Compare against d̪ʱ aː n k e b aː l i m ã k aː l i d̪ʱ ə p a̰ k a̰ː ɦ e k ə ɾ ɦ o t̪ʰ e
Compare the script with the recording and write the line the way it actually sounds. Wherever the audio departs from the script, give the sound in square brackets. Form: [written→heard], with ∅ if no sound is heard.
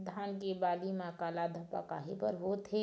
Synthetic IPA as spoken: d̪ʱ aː n k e b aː l i m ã k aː l [i→a] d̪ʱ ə p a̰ k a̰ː ɦ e [k→p] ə ɾ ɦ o t̪ʰ e